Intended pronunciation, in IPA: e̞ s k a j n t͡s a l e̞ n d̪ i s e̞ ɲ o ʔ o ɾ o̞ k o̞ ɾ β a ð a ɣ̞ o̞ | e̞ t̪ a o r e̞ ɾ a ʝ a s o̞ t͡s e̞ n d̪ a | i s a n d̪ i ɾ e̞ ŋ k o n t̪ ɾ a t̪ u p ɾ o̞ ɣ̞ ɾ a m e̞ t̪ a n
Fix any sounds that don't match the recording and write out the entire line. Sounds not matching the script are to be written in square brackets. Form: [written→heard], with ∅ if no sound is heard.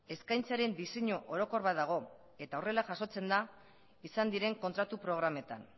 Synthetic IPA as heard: e̞ s k a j n t͡s a [l→ɾ] e̞ n d̪ i s e̞ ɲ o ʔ o ɾ o̞ k o̞ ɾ β a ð a ɣ̞ o̞ | e̞ t̪ a o r e̞ [ɾ→l] a ʝ a s o̞ t͡s e̞ n d̪ a | i s a n d̪ i ɾ e̞ ŋ k o n t̪ ɾ a t̪ u p ɾ o̞ ɣ̞ ɾ a m e̞ t̪ a n